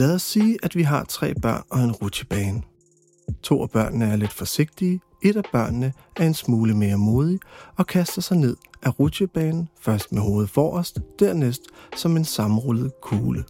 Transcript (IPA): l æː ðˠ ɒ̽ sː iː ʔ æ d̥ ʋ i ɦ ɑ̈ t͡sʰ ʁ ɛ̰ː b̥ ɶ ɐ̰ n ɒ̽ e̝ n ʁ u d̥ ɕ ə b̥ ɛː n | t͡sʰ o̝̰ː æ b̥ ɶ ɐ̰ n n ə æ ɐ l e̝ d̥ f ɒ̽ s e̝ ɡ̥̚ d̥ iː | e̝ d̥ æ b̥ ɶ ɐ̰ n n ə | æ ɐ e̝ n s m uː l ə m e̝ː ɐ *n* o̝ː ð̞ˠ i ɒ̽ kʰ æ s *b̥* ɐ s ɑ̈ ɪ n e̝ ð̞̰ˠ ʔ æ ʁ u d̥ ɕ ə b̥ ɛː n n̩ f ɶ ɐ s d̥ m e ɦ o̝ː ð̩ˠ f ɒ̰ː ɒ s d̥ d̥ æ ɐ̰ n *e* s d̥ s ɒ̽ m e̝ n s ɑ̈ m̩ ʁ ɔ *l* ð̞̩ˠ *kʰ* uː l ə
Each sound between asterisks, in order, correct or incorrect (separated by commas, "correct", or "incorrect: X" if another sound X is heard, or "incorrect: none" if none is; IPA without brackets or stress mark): incorrect: m, incorrect: d̥, correct, correct, correct